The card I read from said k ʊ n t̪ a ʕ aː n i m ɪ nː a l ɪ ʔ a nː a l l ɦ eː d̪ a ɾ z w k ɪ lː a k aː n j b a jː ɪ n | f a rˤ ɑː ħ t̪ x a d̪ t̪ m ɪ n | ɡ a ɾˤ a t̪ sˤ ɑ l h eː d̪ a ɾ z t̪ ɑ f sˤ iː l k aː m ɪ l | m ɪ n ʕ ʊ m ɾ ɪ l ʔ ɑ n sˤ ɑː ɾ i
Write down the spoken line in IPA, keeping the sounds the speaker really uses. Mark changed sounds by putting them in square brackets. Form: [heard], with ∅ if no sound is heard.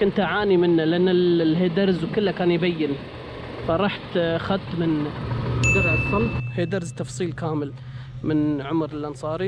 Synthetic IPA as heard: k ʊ n t̪ a ʕ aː n i m ɪ nː a l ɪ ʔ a nː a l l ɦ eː d̪ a ɾ z w k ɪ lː a k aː n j b a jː ɪ n | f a [ɾˤ] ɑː ħ t̪ x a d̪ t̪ m ɪ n | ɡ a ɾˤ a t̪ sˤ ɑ l h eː d̪ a ɾ z t̪ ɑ f sˤ iː l k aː m ɪ l | m ɪ n ʕ ʊ m ɾ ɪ l ʔ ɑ n sˤ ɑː ɾ i

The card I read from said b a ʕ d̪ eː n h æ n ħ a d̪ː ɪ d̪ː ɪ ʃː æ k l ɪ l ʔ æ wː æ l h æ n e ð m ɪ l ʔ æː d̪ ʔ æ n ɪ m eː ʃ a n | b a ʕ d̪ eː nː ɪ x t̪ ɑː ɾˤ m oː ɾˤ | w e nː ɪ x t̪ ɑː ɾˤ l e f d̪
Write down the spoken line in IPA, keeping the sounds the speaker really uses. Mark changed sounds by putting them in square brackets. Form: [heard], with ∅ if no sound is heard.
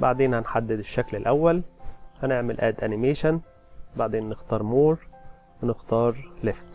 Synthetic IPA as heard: b a ʕ d̪ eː n h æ n ħ a d̪ː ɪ [d̪] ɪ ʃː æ k l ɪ l ʔ æ wː æ l h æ n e [ʕ] m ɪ l ʔ æː d̪ ʔ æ n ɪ m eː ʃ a n | b a ʕ d̪ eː nː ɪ x t̪ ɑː ɾˤ m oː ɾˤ | w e [n] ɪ x t̪ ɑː ɾˤ l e f [t̪]

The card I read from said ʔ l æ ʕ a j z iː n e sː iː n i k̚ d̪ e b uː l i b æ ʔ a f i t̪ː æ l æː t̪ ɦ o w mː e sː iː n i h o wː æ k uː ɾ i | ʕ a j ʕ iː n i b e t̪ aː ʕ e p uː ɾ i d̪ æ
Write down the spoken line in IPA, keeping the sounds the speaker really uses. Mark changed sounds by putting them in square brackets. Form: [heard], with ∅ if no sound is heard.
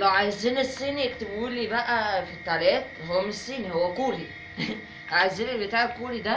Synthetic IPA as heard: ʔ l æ ʕ a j z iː n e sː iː n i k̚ [t̪] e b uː l i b æ ʔ [æ] f i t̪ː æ l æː t̪ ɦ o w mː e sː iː n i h o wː æ k uː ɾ i | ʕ a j [z] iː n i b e t̪ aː ʕ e [k] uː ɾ i d̪ æ

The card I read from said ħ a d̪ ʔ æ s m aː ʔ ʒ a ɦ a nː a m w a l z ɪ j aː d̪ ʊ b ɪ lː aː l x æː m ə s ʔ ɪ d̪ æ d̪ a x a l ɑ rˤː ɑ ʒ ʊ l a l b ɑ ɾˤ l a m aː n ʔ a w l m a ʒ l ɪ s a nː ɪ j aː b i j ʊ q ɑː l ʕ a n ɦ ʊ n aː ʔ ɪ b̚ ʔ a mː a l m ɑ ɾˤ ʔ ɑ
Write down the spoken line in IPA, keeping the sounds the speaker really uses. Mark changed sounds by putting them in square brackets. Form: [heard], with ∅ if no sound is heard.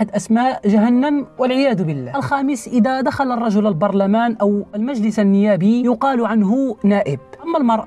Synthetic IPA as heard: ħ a d̪ ʔ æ s m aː ʔ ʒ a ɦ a nː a m w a l [ʕ] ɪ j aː d̪ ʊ b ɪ lː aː l x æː m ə s ʔ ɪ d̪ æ d̪ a x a l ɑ rˤː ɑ ʒ ʊ l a l b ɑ ɾˤ l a m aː n ʔ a w l m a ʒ l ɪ s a nː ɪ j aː b i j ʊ q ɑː l ʕ a n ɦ ʊ n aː ʔ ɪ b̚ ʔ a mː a l m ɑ ɾˤ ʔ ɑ

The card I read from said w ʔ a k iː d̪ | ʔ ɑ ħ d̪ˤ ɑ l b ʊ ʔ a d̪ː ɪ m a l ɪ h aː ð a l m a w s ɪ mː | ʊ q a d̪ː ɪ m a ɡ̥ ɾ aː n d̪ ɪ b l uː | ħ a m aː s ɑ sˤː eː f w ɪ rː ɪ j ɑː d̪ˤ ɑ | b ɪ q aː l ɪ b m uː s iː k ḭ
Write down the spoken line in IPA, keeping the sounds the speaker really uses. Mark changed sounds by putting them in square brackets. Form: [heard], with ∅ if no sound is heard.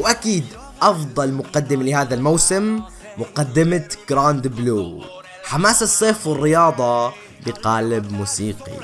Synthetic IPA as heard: w ʔ a k iː d̪ | ʔ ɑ [f] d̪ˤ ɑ l [m] ʊ [q] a d̪ː ɪ m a l ɪ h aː ð a l m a w s ɪ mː | ʊ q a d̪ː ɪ m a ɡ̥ ɾ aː n d̪ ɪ b l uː | ħ a m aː s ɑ sˤː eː f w ɪ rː ɪ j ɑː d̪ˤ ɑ | b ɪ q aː l ɪ b m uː s iː [q] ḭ

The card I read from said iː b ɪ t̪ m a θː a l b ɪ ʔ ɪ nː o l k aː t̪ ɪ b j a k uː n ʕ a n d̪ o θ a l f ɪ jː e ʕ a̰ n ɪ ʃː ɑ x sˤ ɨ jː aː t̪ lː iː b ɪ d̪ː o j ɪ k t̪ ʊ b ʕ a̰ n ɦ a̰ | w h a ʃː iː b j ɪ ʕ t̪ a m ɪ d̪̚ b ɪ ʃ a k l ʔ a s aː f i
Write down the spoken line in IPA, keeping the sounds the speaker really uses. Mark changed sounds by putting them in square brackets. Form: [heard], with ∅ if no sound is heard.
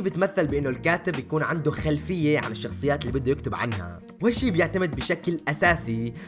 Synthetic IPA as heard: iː b ɪ t̪ m a θː a l b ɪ ʔ ɪ nː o l k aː t̪ ɪ b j a k uː n ʕ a n d̪ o [x] a l f ɪ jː e ʕ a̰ n ɪ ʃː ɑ x sˤ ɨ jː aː t̪ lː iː b ɪ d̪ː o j ɪ k t̪ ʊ b ʕ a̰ n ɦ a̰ | w h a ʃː iː b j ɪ ʕ t̪ a m ɪ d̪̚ b ɪ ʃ a k l ʔ a s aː [s] i

